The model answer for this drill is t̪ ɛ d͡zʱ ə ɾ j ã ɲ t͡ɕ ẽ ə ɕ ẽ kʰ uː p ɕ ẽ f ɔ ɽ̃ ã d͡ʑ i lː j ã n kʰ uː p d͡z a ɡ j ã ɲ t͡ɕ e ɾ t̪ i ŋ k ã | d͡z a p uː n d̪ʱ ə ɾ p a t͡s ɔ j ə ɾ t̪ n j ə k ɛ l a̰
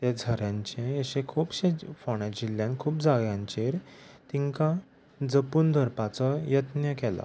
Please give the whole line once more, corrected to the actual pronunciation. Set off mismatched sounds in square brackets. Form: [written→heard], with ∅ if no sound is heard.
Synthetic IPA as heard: t̪ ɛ d͡zʱ ə ɾ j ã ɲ t͡ɕ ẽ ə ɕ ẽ kʰ uː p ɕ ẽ f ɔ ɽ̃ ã d͡ʑ i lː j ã n kʰ uː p d͡z a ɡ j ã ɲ t͡ɕ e ɾ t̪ i ŋ k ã | d͡z [a→ə] p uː n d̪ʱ ə ɾ p a t͡s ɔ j ə [ɾ→∅] t̪ n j ə k ɛ l a̰